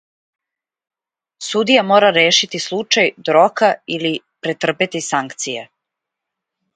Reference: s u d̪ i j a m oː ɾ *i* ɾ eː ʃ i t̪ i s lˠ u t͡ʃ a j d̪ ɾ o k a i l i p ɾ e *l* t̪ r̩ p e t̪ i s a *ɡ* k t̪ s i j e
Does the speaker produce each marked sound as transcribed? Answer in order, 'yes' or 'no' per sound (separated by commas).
no, no, no